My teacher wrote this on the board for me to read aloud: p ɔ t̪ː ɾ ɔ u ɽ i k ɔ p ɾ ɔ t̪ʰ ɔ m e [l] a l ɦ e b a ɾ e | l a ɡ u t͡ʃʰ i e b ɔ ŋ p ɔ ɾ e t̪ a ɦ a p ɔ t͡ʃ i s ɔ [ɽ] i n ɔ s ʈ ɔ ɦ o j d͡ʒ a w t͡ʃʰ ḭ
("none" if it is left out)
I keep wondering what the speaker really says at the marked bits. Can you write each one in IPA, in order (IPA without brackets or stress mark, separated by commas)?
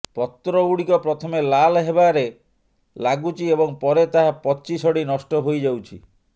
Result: l, ɽ